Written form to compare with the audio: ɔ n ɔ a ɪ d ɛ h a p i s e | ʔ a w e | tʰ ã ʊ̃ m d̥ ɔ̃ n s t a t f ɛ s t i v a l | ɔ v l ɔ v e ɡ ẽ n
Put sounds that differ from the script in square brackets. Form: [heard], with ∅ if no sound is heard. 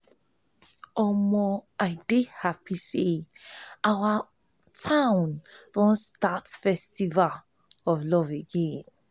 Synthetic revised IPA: ɔ [m] ɔ a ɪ d [e] h a p i s e | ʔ a w [a] | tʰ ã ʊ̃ [n] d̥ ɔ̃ n s t a t f ɛ s t i v a l | ɔ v l ɔ v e ɡ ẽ n